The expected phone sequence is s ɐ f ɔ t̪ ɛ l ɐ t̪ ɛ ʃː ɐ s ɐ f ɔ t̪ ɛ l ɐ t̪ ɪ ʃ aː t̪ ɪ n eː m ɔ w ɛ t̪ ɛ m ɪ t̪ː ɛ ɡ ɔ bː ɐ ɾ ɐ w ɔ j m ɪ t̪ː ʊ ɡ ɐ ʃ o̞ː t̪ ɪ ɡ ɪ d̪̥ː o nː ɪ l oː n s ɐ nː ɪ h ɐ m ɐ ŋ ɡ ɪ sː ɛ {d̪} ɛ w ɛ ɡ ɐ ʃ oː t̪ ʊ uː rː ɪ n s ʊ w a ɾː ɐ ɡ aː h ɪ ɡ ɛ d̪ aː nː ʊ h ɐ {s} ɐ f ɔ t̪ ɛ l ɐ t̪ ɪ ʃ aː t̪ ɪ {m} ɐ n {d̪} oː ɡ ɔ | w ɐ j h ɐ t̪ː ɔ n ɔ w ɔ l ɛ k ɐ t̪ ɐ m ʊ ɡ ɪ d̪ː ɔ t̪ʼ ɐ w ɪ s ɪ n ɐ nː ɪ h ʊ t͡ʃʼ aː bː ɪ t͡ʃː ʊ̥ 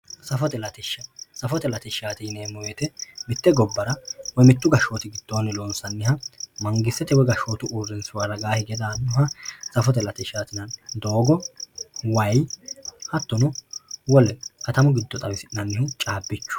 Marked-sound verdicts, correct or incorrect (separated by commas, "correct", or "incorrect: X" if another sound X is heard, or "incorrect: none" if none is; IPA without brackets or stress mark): incorrect: t̪, correct, incorrect: n, correct